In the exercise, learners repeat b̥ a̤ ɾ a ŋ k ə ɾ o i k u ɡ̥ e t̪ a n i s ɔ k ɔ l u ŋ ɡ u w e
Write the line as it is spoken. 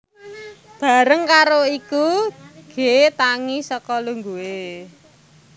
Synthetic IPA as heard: b̥ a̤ ɾ ə ŋ k a ɾ o i k u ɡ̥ e t̪ a ŋ i s ɔ k ɔ l u ŋ ɡ u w e